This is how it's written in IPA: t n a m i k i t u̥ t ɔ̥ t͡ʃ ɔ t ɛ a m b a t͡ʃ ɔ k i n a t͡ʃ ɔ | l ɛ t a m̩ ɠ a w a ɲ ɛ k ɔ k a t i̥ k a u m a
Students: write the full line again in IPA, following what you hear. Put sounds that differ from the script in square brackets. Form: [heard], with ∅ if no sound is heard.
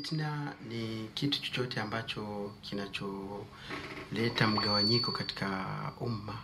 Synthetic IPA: t n a [n] i k i t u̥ [t͡ʃ] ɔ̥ t͡ʃ ɔ t ɛ a m b a t͡ʃ ɔ k i n a t͡ʃ ɔ | l ɛ t a m̩ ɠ a w a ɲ [i] k ɔ k a t i̥ k a u m a